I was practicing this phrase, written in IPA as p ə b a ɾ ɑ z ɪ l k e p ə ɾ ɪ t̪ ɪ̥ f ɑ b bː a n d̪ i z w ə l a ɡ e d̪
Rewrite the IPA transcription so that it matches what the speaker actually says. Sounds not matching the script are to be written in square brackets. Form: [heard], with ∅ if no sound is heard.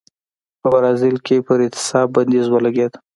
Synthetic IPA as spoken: p ə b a ɾ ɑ z ɪ l k e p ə ɾ ɪ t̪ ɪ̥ [s] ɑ b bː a n d̪ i z w ə l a ɡ e d̪